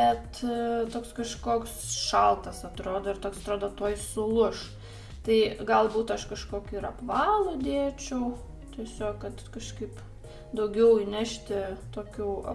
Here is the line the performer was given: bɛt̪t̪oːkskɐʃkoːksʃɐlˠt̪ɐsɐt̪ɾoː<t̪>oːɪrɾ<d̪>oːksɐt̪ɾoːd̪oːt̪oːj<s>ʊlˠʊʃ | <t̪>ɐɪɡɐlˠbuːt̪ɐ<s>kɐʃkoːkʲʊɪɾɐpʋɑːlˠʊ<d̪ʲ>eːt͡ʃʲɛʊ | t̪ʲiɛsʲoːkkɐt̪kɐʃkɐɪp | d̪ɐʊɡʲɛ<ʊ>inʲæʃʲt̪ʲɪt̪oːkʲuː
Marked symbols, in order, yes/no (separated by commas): no, no, yes, yes, no, yes, yes